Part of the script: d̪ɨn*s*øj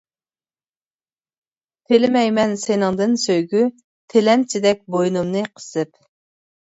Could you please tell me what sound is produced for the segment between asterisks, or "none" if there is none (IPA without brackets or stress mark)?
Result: s